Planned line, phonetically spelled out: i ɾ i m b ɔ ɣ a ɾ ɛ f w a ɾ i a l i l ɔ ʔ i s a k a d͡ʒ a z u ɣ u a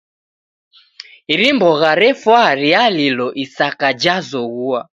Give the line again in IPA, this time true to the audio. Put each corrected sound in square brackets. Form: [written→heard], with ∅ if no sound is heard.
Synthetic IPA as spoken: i ɾ i m b ɔ ɣ a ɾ ɛ f w a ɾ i a l i l ɔ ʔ i s a k a d͡ʒ a z [u→ɔ] ɣ u a